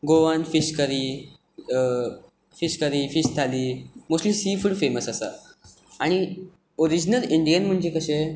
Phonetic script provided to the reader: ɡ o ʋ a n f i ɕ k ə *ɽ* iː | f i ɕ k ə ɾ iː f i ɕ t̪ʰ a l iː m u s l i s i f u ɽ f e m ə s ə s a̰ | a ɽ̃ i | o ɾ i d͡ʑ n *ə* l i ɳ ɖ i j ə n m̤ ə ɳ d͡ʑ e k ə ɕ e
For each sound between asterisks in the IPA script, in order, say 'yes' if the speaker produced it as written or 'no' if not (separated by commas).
no, yes